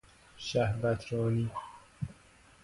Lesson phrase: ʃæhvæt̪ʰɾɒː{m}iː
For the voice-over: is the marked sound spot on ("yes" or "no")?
no